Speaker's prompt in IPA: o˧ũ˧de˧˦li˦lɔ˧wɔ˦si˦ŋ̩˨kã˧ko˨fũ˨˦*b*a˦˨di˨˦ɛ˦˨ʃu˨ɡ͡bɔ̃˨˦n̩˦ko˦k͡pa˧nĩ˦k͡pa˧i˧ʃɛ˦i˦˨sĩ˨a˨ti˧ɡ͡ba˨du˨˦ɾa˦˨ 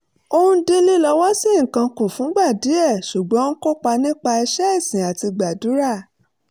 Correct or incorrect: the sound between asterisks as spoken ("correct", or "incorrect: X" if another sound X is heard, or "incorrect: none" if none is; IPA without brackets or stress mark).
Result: incorrect: ɡ͡b